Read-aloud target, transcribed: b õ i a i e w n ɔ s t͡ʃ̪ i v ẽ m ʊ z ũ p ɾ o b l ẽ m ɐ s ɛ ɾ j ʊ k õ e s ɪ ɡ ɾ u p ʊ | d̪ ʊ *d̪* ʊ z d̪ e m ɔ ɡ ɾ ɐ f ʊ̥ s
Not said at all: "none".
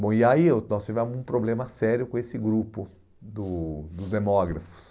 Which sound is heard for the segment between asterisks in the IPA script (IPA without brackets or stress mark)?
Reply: d̪